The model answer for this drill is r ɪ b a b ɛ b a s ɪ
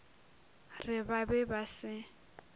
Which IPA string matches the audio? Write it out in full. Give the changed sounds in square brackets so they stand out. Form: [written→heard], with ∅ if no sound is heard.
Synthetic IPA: r ɪ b a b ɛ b a s ɪ